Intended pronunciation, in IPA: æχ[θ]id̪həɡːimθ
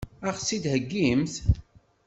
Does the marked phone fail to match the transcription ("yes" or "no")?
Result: yes